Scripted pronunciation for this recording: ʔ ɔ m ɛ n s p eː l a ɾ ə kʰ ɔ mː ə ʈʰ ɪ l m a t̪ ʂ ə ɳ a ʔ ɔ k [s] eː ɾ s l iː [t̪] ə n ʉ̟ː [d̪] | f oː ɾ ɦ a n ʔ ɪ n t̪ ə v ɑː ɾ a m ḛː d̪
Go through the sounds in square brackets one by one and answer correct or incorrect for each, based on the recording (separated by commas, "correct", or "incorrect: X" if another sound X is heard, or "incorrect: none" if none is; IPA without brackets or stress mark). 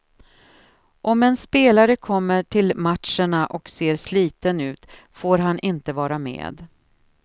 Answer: correct, correct, incorrect: t̪